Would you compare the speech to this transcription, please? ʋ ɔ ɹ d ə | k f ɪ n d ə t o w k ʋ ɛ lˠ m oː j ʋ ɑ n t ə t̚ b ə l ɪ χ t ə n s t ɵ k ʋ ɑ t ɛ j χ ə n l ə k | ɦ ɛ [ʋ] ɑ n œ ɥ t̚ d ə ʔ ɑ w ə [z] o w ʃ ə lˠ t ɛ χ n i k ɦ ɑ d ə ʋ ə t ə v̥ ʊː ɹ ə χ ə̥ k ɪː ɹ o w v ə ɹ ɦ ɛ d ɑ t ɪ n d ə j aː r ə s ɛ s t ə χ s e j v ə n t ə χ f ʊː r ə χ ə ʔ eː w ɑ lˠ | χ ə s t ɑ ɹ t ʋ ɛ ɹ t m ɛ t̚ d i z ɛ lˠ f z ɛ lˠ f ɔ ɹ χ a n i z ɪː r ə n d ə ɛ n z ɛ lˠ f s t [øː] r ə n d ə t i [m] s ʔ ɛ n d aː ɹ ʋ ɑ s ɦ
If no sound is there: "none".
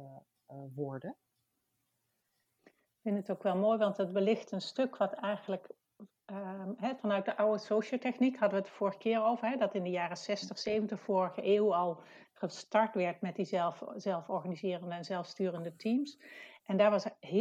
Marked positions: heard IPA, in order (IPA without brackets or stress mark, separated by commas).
v, s, yː, m